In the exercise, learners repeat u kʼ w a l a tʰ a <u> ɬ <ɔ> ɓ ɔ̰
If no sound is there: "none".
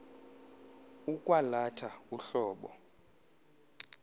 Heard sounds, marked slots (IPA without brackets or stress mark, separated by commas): u, ɔː